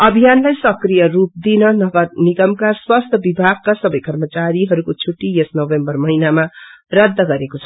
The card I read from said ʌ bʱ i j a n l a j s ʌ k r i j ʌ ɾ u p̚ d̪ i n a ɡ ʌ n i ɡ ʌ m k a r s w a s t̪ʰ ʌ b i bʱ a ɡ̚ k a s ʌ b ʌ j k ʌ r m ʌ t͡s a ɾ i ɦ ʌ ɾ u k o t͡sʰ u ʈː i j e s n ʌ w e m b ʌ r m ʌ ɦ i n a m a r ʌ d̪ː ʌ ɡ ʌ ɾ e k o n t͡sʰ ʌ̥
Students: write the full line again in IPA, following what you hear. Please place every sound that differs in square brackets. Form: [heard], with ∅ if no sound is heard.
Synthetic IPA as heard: ʌ bʱ i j a n l a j s ʌ k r i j ʌ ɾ u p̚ d̪ i n [ʌ] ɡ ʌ n i ɡ ʌ m k a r s w a s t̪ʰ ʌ b i bʱ a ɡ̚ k a s ʌ b ʌ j k ʌ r m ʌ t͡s a ɾ i ɦ ʌ ɾ u k o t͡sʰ u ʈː i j e s n ʌ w e m b ʌ r m ʌ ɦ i n a m a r ʌ d̪ː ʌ ɡ ʌ ɾ e k o [∅] t͡sʰ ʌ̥

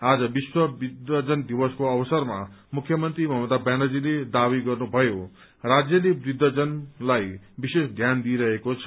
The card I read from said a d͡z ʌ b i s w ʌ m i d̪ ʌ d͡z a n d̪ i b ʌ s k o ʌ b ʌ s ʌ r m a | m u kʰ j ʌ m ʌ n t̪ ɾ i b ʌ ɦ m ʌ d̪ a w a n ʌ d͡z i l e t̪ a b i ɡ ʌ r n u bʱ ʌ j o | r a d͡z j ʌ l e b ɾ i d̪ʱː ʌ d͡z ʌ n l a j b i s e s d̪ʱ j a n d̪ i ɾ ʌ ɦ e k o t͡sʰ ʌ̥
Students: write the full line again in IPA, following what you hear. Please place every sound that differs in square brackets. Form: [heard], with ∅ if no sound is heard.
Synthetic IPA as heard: a d͡z ʌ b i s w ʌ [b] i d̪ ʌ d͡z [ʌ] n d̪ i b ʌ s k o ʌ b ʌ s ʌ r m a | m u kʰ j ʌ m ʌ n t̪ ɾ i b ʌ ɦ m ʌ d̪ a [b] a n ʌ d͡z i l e [d̪] a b i ɡ ʌ r n u bʱ ʌ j o | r a d͡z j ʌ l e b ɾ i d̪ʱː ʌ d͡z ʌ n l a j b i s e s d̪ʱ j a n d̪ i ɾ ʌ ɦ e k o t͡sʰ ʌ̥

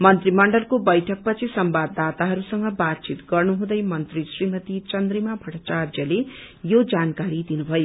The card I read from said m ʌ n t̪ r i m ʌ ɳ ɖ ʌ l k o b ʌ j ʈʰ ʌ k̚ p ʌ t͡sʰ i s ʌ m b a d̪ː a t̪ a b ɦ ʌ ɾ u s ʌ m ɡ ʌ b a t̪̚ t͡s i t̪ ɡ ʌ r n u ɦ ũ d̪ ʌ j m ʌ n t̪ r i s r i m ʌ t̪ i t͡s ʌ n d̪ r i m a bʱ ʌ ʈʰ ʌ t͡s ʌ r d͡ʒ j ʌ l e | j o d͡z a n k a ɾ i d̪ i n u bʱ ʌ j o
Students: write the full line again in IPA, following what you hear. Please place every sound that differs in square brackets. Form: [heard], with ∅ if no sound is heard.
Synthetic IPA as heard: m ʌ n t̪ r i m ʌ ɳ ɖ ʌ l k o b ʌ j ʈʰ ʌ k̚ p ʌ t͡sʰ i s ʌ m b a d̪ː a t̪ a [∅] ɦ ʌ ɾ u s ʌ [ŋ] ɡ ʌ b a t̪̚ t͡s i t̪ ɡ ʌ r n u ɦ ũ d̪ ʌ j m ʌ n t̪ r i s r i m ʌ t̪ i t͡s ʌ n d̪ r i m a bʱ ʌ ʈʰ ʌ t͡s [a] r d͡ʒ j ʌ l e | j o d͡z a n k a ɾ i d̪ i n u bʱ ʌ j o

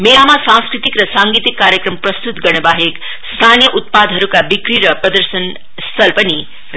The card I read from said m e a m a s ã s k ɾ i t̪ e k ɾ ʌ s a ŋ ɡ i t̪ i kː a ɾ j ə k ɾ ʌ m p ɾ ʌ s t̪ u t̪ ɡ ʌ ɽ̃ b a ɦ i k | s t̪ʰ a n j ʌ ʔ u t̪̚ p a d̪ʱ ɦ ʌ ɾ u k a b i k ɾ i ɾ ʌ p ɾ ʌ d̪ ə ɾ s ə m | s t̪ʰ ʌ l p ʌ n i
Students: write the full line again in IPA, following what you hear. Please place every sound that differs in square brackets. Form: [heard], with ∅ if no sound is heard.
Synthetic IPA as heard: m e a m a s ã s k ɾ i t̪ [i] k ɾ ʌ s a ŋ ɡ i t̪ i kː a ɾ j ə k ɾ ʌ m p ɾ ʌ s t̪ u t̪ ɡ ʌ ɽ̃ b a ɦ [e] k | s t̪ʰ a n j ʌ ʔ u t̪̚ p a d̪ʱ ɦ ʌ ɾ u k a b i k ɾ i ɾ ʌ p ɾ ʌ d̪ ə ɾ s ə [n] | s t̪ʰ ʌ l p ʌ n i

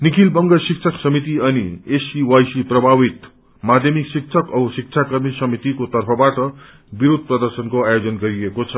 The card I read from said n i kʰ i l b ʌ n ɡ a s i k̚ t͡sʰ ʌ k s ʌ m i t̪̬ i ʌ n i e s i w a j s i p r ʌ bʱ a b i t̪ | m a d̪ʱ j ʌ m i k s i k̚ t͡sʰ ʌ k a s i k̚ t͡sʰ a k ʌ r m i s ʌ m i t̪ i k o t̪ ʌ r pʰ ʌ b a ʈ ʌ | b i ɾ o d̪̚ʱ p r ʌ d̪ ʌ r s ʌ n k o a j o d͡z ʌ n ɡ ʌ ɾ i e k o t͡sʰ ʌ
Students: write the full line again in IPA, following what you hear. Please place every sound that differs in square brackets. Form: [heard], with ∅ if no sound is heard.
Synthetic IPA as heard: n i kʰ i l b ʌ [ŋ] ɡ [ʌ] s i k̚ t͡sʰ ʌ k s ʌ m i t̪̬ i ʌ n i e s i w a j s i p r ʌ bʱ a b i t̪ | m a d̪ʱ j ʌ m i k s i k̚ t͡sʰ ʌ k [ʌ] s i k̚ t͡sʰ a k ʌ r m i s ʌ m i t̪ i k o t̪ ʌ r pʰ ʌ b a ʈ ʌ | b i ɾ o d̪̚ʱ p r ʌ d̪ ʌ r s ʌ n k o a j o d͡z ʌ n ɡ ʌ ɾ i e k o t͡sʰ ʌ

